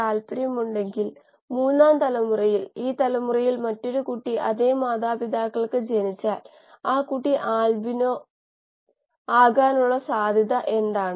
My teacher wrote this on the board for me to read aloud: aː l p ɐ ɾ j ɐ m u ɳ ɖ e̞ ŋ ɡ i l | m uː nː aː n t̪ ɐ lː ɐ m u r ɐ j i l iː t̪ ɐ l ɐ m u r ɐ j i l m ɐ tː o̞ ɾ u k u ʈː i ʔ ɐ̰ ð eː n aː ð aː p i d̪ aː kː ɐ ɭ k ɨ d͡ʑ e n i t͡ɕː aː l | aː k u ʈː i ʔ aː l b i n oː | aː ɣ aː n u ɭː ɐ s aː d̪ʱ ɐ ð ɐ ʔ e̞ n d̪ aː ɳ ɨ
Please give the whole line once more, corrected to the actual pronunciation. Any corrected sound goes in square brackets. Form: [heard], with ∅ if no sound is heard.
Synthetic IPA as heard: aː l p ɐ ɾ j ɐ m u ɳ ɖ e̞ ŋ ɡ i l | m uː nː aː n t̪ ɐ [l] ɐ m u r ɐ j i l iː t̪ ɐ l ɐ m u r ɐ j i l m ɐ tː o̞ ɾ u k u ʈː i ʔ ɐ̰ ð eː [m] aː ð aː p i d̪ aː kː ɐ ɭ k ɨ d͡ʑ e n i t͡ɕː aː l | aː k u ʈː i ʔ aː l b i n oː | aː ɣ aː n u ɭː ɐ s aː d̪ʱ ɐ ð ɐ ʔ e̞ n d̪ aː ɳ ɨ

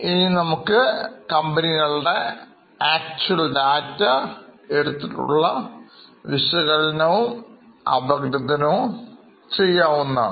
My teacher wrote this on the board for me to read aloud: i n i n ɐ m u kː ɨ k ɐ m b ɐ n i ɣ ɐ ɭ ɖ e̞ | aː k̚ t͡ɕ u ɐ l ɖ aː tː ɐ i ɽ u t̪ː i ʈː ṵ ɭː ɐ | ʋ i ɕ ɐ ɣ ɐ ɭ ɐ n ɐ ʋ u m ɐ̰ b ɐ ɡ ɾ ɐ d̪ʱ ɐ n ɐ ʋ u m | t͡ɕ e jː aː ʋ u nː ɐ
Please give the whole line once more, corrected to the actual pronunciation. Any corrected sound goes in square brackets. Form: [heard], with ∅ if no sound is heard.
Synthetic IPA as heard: i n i n ɐ m u kː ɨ k ɐ m b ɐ n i ɣ ɐ ɭ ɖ e̞ | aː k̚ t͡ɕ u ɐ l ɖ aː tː ɐ [e] ɽ u t̪ː i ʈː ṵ ɭː ɐ | ʋ i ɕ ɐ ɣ ɐ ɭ ɐ n ɐ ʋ u m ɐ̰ b ɐ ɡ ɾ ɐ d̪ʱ ɐ n ɐ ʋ u m | t͡ɕ e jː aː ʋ u nː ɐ

